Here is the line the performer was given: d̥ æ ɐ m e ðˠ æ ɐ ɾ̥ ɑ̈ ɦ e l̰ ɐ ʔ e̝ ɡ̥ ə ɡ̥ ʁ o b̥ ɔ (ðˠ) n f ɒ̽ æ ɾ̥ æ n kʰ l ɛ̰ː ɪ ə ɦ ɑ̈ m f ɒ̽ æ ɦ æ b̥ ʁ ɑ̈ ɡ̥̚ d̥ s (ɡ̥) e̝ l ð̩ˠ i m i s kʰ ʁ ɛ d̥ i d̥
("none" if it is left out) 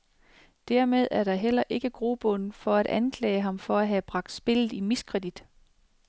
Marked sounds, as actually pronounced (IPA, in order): none, b̥

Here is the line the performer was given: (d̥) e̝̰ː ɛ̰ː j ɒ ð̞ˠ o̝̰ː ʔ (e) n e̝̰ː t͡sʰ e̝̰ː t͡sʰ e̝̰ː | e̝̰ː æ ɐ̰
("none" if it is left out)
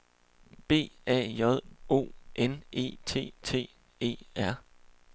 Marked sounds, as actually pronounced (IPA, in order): b̥, e

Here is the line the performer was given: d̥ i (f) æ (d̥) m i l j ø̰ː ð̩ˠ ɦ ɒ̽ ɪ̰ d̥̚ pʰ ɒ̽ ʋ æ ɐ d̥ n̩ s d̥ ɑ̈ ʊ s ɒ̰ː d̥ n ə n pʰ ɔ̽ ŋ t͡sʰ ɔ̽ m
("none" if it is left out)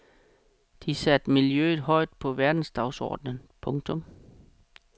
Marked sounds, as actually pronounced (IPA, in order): s, d̥

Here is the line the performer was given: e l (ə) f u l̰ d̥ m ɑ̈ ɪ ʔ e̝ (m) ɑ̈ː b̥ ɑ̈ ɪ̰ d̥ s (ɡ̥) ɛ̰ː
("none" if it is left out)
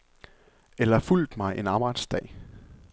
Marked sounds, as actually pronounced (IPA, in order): ɐ, n, d̥

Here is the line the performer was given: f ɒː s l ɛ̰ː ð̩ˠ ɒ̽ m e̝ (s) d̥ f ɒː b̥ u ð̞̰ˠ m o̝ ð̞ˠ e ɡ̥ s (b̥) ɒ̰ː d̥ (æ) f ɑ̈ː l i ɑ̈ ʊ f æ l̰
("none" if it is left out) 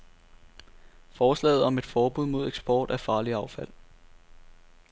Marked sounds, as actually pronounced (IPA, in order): none, b̥, æ

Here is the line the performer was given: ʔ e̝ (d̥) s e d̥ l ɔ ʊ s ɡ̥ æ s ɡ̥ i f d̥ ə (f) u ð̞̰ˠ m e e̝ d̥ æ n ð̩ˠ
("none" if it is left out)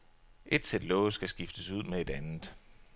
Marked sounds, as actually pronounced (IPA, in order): d̥, s

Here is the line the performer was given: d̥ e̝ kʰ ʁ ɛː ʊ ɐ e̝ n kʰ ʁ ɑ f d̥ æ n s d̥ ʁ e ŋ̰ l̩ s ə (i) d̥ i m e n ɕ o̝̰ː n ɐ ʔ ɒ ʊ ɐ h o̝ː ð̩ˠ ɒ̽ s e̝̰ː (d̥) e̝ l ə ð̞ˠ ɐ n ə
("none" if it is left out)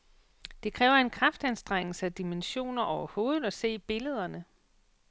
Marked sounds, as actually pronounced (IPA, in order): æ, b̥

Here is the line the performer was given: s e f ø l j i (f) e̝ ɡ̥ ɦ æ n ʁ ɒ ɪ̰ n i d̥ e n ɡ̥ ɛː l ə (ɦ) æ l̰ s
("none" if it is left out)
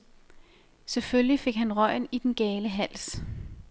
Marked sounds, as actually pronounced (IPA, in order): f, ɦ

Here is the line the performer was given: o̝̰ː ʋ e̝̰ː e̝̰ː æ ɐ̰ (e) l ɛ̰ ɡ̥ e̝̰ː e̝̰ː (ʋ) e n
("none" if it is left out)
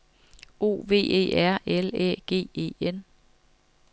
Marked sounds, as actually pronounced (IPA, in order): e, none

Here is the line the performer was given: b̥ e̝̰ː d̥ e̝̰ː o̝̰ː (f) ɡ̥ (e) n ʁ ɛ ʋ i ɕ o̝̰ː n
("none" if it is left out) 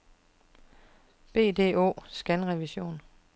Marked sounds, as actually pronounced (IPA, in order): s, æ

